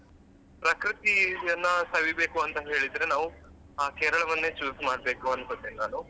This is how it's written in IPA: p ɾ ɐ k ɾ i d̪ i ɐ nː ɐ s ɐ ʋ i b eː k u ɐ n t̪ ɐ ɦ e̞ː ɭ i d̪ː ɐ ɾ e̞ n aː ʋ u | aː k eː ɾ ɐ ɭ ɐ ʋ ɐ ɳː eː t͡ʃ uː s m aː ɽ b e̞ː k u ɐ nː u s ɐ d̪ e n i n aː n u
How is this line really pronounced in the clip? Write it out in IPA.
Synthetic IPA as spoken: p ɾ ɐ k ɾ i t̪ i ɐ nː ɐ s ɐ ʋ i b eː k u ɐ n t̪ ɐ ɦ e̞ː ɭ i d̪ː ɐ ɾ e̞ n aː ʋ u | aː k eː ɾ ɐ ɭ ɐ ʋ ɐ nː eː t͡ʃ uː s m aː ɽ b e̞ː k u ɐ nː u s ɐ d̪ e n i n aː n u